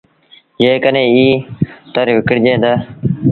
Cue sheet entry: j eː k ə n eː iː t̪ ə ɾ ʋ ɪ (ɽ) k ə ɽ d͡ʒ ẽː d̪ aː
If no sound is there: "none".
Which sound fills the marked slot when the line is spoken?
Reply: none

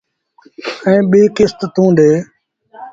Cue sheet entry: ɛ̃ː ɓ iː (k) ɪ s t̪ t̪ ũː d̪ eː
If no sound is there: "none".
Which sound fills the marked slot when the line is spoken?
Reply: k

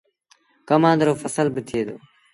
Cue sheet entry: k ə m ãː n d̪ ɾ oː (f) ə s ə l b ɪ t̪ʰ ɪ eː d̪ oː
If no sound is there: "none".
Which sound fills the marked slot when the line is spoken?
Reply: f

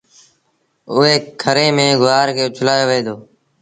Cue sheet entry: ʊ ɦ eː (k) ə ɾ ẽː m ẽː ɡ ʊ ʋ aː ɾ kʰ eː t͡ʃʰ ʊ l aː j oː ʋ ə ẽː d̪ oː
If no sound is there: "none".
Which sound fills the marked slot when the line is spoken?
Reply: kʰ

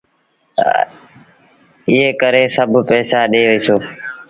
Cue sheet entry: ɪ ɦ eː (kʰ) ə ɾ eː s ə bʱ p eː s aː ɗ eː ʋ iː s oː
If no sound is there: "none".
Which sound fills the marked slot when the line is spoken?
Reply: k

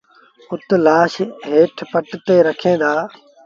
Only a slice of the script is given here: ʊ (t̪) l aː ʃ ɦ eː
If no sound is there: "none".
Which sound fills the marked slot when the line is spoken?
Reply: t̪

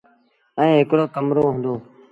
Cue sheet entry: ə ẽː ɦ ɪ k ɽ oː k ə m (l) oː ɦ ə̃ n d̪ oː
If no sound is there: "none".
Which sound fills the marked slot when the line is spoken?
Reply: ɾ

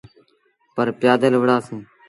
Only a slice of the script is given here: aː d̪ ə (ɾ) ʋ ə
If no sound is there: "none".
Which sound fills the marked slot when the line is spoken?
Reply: l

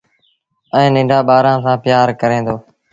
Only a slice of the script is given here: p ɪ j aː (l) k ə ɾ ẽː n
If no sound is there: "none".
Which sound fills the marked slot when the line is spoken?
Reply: ɾ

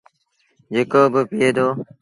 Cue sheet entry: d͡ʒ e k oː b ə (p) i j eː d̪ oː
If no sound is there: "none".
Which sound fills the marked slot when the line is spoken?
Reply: p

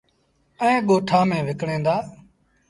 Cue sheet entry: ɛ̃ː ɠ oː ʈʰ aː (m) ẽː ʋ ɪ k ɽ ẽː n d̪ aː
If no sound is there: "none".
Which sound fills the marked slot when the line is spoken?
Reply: m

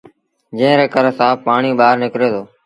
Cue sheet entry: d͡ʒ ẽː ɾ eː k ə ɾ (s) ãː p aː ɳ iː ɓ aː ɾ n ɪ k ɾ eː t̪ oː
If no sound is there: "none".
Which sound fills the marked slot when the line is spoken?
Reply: s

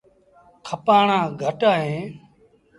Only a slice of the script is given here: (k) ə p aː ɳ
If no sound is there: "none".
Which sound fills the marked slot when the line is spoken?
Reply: kʰ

